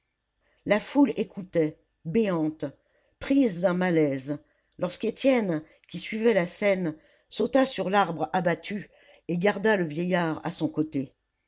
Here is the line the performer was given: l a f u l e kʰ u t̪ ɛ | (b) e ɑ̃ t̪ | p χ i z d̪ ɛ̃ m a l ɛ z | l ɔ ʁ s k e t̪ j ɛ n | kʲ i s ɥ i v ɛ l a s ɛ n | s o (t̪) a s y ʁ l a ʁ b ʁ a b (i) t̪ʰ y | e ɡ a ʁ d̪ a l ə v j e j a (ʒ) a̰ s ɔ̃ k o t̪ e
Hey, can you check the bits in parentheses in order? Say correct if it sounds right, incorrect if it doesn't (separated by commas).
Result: correct, correct, incorrect, incorrect